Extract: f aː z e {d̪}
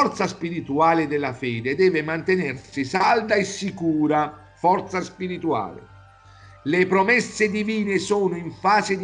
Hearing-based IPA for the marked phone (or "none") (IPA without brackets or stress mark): d̪